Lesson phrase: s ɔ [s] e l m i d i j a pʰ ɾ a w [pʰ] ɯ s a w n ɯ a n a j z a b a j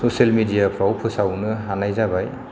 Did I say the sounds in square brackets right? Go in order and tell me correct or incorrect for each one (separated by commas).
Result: correct, correct